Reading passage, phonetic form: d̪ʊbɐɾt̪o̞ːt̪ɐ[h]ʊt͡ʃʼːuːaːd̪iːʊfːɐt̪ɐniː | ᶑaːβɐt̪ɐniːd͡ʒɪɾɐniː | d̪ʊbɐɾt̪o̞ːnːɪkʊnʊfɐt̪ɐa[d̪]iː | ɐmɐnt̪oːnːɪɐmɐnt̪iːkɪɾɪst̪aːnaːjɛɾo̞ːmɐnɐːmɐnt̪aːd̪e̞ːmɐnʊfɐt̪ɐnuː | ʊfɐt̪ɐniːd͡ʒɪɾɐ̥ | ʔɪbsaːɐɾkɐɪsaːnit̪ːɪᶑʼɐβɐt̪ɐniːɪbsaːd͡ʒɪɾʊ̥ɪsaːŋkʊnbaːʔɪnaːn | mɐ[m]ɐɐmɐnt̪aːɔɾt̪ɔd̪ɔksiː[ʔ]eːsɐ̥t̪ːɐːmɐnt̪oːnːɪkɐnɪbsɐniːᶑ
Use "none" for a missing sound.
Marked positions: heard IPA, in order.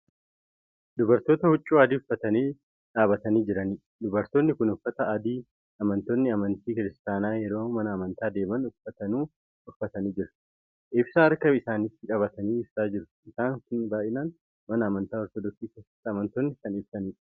h, d̪, n, k

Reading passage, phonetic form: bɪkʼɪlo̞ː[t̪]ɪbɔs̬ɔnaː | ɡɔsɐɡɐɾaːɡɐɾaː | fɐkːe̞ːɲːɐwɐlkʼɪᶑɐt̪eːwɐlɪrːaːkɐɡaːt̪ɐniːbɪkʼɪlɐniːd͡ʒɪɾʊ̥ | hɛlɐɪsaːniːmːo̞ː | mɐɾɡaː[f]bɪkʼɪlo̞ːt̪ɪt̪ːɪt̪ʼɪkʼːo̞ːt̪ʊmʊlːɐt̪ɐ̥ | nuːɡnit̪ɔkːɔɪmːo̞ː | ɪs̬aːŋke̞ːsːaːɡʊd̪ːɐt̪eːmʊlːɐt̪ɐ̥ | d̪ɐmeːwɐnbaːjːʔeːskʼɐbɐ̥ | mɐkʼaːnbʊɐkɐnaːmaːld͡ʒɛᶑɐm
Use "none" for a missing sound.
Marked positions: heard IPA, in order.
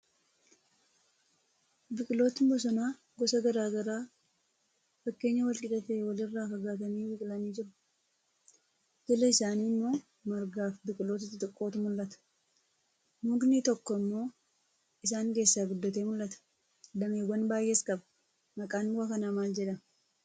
t̪, f

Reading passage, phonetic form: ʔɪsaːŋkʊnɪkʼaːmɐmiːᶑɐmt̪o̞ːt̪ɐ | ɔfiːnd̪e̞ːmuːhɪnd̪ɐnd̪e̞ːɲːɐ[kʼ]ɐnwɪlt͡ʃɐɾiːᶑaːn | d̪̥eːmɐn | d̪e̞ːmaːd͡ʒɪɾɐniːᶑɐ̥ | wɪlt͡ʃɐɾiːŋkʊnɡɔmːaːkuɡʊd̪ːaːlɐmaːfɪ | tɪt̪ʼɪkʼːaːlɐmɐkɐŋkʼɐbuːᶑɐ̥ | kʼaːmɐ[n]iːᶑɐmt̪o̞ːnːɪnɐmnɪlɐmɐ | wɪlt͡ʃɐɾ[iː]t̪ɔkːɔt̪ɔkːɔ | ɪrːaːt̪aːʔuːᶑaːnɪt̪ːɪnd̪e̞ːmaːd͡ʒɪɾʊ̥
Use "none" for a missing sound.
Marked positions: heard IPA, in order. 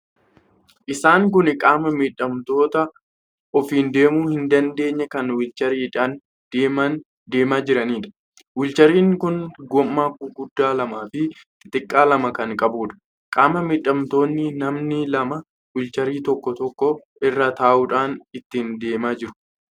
k, m, iː

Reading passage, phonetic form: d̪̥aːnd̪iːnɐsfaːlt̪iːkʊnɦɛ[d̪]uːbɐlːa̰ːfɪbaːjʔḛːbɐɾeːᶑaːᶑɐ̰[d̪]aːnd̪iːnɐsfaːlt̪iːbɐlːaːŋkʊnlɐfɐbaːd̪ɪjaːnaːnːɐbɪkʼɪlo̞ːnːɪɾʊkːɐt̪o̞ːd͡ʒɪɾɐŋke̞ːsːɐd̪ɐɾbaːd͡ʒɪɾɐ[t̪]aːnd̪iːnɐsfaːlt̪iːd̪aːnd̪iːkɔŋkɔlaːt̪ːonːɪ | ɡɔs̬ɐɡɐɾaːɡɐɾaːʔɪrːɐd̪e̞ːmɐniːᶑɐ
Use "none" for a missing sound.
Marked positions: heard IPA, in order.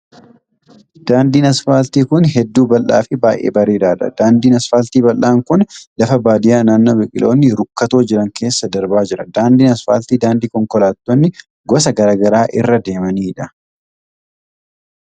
d̪ː, d̪, d̪

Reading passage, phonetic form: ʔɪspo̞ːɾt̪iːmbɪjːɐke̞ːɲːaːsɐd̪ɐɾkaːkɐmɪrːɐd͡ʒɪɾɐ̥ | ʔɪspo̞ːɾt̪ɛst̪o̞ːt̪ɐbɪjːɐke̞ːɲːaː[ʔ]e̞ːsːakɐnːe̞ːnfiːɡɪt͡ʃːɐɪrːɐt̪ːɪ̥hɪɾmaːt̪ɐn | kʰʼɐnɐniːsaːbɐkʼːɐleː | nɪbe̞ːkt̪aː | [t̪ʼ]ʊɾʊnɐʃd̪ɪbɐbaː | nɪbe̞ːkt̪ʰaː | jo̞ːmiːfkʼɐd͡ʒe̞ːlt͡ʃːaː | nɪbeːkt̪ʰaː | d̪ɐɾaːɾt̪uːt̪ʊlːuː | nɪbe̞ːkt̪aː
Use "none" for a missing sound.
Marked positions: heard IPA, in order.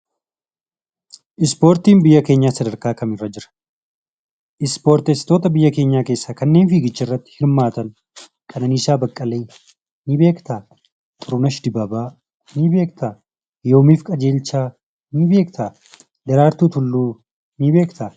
k, t̪ʼ

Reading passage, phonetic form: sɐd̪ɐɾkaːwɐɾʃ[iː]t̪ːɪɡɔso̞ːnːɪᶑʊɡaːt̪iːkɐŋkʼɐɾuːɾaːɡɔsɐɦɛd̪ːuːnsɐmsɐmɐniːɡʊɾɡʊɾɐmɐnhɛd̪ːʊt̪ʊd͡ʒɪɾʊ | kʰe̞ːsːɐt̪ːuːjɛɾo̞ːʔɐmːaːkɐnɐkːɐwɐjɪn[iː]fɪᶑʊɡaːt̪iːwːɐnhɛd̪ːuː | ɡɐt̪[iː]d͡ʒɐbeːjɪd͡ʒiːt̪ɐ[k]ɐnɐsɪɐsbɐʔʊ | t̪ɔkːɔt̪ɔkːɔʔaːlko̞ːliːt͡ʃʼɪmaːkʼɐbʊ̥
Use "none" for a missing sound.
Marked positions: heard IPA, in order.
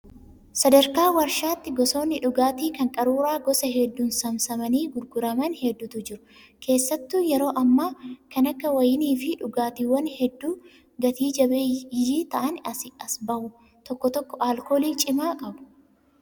aː, iː, iː, ʔ

